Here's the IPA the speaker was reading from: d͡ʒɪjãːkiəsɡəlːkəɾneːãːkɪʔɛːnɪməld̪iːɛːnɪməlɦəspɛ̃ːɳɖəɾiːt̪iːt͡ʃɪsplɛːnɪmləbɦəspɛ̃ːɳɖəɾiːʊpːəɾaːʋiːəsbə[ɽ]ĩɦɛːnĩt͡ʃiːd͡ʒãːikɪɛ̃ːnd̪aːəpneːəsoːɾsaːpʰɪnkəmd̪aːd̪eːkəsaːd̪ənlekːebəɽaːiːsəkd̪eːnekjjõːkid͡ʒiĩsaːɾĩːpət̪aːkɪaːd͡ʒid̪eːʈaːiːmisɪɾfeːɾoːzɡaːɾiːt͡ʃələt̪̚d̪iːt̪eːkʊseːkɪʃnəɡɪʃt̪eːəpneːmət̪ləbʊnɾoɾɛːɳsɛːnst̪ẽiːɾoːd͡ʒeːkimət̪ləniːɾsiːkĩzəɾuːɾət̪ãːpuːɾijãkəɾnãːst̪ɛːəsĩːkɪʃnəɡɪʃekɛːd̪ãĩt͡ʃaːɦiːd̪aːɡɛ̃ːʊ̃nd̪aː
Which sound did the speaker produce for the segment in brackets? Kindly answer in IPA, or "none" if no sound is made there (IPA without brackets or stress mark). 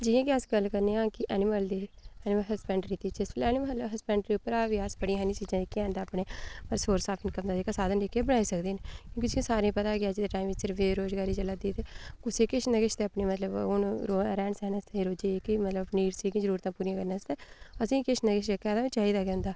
ɽ